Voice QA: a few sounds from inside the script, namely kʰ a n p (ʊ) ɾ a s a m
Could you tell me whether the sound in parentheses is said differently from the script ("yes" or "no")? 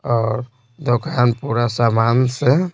yes